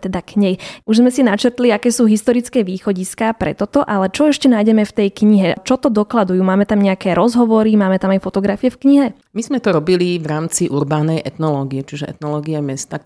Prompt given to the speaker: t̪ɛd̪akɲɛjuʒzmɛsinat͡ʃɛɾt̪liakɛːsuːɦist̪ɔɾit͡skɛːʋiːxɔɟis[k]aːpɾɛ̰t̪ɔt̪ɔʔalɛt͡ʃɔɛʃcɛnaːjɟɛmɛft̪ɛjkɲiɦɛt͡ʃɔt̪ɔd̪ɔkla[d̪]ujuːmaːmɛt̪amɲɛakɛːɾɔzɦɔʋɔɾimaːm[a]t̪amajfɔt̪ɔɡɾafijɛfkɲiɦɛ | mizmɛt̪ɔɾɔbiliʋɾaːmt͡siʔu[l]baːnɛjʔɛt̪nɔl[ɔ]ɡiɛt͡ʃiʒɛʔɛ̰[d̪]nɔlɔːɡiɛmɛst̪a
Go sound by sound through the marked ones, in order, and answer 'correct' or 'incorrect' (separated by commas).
correct, correct, incorrect, incorrect, incorrect, incorrect